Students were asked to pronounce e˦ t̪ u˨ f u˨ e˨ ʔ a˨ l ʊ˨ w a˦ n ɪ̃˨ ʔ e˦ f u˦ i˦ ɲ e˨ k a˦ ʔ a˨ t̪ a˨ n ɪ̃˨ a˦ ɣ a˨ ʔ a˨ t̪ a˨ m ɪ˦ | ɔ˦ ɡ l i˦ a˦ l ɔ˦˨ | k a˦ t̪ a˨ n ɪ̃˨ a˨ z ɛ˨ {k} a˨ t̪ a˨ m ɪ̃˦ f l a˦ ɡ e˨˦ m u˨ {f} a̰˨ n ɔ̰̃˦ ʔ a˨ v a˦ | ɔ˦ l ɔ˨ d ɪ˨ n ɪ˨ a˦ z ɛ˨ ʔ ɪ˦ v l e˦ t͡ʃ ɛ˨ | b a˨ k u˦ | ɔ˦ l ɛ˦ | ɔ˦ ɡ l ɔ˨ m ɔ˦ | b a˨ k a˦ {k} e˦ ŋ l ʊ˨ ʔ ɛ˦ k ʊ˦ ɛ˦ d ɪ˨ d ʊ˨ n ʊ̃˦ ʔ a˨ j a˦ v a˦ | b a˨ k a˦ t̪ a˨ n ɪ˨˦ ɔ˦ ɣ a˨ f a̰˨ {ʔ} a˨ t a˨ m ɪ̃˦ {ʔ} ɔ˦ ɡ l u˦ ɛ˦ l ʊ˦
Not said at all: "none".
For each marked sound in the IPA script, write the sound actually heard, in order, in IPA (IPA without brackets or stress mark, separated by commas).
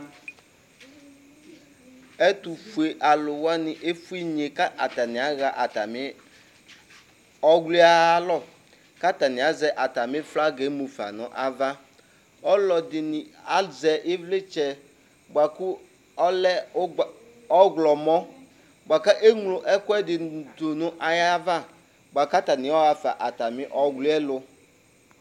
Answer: ʔ, f, ʔ, ʔ, ʔ